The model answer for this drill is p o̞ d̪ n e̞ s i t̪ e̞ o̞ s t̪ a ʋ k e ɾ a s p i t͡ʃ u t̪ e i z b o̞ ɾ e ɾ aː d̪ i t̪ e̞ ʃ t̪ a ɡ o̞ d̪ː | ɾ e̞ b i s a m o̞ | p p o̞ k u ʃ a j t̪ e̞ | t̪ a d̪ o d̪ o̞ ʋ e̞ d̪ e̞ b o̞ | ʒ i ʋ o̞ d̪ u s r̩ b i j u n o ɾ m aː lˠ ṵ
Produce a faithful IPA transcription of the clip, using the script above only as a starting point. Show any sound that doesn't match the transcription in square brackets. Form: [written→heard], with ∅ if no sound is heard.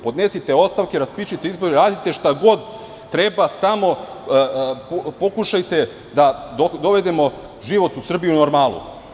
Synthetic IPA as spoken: p o̞ d̪ n e̞ s i t̪ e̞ o̞ s t̪ a ʋ k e ɾ a s p i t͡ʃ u t̪ e i z b o̞ ɾ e ɾ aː d̪ i t̪ e̞ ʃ t̪ a ɡ o̞ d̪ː | ɾ e̞ b [i→a] s a m o̞ | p p o̞ k u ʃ a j t̪ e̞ | [t̪→d̪] a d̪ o d̪ o̞ ʋ e̞ d̪ e̞ [b→m] o̞ | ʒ i ʋ o̞ [d̪→t̪] u s r̩ b i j u n o ɾ m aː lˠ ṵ